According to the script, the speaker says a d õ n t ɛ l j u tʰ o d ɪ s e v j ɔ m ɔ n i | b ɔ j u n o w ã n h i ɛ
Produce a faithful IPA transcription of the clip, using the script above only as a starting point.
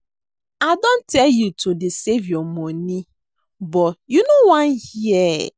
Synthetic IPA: a d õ n t ɛ l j u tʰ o d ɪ s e v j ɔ m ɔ n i | b ɔ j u n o w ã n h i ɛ